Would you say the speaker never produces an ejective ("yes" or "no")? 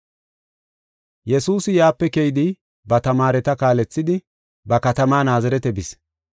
yes